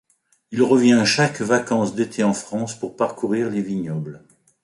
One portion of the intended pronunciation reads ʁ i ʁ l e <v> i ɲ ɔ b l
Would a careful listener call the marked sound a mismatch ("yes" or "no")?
no